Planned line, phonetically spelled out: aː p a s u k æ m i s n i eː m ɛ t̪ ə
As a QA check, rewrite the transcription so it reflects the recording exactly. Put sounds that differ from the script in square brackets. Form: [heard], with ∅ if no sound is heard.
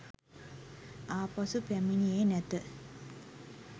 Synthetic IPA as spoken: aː p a s u [p] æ m i [∅] n i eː [n] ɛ t̪ ə